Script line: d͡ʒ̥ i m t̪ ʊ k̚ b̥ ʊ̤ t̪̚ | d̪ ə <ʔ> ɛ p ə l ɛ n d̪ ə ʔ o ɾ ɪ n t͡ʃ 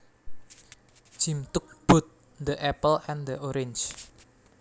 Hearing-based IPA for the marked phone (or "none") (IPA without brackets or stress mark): ʔ